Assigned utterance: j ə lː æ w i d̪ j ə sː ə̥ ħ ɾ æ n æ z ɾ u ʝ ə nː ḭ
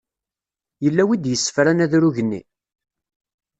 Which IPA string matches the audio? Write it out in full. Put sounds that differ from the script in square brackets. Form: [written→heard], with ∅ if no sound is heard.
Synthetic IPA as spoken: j ə lː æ w i d̪ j ə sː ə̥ [ħ→f] ɾ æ n æ [z→ð] ɾ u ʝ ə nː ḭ